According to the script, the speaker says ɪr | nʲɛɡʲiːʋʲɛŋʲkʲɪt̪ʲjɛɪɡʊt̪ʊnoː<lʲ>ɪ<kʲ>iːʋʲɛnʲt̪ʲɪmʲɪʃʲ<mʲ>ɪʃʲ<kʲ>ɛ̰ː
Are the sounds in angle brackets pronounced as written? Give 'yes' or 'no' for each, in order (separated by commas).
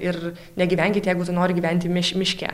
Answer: no, no, yes, yes